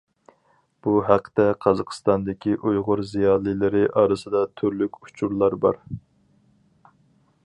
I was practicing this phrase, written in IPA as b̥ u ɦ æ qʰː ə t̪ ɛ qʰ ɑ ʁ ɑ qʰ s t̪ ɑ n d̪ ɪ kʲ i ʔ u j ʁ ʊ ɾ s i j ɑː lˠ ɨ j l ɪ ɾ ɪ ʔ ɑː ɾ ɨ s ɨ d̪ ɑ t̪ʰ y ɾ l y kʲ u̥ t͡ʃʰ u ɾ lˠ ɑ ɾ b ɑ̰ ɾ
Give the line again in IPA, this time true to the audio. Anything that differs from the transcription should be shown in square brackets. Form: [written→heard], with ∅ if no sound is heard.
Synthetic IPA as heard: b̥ u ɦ æ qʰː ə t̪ ɛ qʰ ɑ [ʁ→z] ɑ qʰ s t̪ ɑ n d̪ ɪ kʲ i ʔ u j ʁ ʊ ɾ [s→z] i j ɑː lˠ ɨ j l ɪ ɾ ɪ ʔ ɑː ɾ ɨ s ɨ d̪ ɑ t̪ʰ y ɾ l y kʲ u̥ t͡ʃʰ u ɾ lˠ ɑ ɾ b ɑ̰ ɾ